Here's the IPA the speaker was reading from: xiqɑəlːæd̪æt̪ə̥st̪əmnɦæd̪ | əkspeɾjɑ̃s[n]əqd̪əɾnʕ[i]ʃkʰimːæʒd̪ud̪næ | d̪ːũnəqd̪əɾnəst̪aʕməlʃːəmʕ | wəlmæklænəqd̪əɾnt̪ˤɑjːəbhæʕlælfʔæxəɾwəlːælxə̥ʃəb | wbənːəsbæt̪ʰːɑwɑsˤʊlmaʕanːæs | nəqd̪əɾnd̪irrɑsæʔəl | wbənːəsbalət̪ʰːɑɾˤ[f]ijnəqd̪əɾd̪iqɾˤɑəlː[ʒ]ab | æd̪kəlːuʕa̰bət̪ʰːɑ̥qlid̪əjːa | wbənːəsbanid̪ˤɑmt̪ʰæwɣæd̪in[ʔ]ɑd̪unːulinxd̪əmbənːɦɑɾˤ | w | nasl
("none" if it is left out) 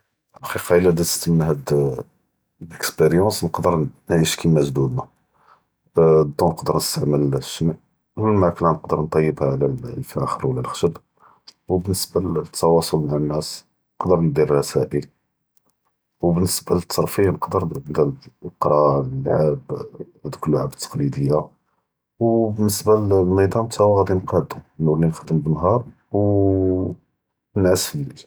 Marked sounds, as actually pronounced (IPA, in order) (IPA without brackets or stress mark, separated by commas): n, i, f, ʕ, q